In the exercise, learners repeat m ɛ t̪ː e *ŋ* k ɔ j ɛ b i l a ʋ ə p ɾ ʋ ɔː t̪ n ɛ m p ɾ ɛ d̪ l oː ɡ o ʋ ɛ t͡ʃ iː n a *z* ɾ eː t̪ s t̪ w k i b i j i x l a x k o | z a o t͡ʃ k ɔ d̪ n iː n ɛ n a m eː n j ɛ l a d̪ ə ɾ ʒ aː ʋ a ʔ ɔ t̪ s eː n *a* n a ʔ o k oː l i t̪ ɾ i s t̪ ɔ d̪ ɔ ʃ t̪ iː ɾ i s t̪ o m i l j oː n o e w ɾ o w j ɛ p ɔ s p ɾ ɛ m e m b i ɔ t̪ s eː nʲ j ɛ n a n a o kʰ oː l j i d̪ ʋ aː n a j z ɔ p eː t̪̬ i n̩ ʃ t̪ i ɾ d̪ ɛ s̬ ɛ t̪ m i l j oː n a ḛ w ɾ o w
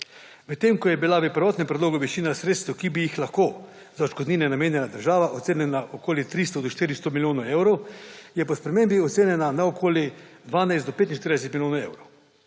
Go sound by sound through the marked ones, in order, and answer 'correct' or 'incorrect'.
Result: incorrect: m, incorrect: s, incorrect: ɛ

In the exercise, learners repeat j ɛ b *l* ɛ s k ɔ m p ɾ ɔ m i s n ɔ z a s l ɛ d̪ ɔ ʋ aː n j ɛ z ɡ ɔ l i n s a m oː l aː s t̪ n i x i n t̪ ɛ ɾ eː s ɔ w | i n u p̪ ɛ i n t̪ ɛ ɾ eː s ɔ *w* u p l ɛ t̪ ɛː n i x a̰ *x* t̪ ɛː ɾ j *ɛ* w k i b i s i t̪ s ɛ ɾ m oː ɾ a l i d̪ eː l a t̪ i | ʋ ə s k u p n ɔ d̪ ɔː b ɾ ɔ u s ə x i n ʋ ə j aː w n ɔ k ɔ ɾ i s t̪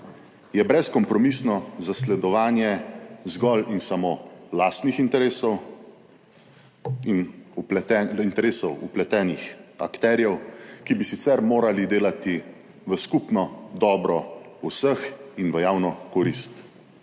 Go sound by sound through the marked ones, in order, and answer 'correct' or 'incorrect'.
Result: incorrect: ɾ, correct, incorrect: k, correct

